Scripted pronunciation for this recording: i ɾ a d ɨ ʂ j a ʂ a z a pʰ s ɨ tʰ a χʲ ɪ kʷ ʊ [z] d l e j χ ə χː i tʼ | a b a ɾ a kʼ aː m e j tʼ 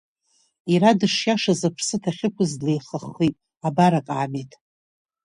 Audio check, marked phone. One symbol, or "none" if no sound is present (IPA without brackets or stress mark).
z